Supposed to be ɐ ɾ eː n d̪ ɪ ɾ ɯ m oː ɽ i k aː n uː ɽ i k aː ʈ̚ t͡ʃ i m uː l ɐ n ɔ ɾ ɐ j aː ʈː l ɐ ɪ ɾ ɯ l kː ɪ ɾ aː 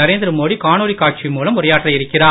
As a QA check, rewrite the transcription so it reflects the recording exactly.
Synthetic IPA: ɐ ɾ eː n d̪ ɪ ɾ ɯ m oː ɽ i k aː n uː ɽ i k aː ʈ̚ t͡ʃ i m uː l ɐ m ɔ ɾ ɐ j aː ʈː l ɐ ɪ ɾ ɯ kː ɪ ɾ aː